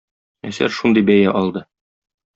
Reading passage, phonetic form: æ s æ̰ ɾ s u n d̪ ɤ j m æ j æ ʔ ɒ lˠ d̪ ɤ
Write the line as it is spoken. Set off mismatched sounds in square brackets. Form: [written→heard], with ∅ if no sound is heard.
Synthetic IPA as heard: æ s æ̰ ɾ [s→ʃ] u n d̪ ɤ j [m→b] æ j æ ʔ ɒ lˠ d̪ ɤ